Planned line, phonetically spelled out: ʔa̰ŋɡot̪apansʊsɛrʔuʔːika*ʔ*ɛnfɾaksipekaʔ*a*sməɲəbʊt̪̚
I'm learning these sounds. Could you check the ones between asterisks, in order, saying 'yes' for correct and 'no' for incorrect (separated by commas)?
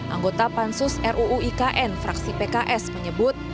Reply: yes, no